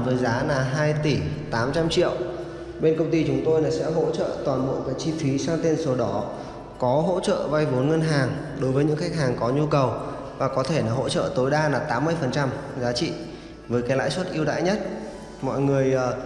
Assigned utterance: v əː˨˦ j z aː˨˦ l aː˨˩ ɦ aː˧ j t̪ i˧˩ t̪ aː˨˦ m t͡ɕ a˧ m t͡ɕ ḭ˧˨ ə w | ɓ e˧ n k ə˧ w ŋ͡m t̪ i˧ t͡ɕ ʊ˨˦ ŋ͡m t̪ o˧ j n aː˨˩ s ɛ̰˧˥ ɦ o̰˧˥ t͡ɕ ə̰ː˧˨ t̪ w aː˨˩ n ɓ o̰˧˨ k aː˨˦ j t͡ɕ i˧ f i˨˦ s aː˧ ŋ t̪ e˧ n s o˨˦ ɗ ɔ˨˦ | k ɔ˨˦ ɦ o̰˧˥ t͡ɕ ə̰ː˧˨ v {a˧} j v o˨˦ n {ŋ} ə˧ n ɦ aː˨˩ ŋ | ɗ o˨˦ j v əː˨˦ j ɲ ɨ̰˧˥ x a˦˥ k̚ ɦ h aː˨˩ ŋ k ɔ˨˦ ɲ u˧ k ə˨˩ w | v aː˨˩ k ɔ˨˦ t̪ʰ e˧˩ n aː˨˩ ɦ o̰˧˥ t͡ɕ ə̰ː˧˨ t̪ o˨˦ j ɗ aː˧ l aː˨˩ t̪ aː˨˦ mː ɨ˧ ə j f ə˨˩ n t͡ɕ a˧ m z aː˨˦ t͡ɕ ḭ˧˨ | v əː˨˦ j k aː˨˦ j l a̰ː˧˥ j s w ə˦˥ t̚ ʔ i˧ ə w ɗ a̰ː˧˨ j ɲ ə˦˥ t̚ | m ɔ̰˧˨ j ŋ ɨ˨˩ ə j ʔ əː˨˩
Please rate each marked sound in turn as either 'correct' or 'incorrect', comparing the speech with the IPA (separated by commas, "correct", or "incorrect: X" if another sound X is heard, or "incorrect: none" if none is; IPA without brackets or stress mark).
correct, correct